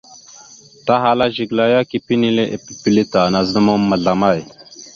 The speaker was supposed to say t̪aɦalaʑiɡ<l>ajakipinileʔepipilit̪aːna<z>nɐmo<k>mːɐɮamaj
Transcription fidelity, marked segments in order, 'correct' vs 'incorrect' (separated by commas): correct, correct, incorrect